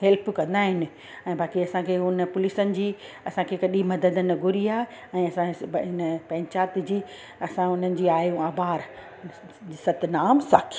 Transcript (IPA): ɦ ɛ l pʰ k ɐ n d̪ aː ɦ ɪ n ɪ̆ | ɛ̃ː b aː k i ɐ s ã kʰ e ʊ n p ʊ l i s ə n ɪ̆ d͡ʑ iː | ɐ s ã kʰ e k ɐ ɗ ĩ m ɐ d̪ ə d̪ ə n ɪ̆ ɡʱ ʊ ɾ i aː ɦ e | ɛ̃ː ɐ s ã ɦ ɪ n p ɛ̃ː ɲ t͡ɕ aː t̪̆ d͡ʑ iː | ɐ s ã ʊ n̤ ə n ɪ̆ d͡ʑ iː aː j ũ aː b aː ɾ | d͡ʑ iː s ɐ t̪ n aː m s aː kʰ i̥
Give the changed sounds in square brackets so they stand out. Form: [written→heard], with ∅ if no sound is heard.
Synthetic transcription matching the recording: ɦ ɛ l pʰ k [ɐ→ɐ̃] n d̪ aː ɦ ɪ n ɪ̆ | ɛ̃ː b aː k i ɐ s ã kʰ e ʊ n p ʊ l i s ə n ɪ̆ d͡ʑ iː | ɐ s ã kʰ e k ɐ ɗ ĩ m ɐ d̪ ə d̪ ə n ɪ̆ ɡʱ ʊ ɾ i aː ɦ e | ɛ̃ː ɐ s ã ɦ ɪ n p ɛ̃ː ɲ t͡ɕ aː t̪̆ d͡ʑ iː | ɐ s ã ʊ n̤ ə n ɪ̆ d͡ʑ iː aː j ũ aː b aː ɾ | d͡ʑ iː s ɐ t̪ n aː m s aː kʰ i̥